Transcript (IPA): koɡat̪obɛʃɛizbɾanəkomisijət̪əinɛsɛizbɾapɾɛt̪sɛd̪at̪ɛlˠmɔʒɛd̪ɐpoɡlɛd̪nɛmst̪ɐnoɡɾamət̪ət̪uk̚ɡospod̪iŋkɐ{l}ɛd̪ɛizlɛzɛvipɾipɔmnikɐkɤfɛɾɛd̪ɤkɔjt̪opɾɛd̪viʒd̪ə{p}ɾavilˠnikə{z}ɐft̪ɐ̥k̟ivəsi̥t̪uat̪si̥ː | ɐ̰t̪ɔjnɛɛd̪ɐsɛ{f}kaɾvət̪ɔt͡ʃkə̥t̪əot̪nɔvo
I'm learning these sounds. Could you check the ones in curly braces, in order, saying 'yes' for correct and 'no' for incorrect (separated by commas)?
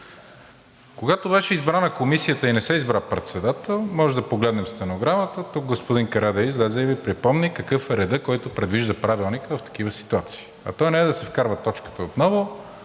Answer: no, yes, no, yes